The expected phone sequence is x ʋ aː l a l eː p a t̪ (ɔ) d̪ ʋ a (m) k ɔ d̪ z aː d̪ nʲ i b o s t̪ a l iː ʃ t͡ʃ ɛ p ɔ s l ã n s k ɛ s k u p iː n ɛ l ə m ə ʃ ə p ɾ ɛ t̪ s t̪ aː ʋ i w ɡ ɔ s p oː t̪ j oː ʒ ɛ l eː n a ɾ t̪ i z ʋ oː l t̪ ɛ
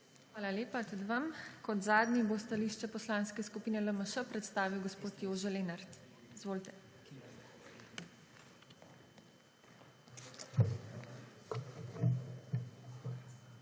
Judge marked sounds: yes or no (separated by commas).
no, yes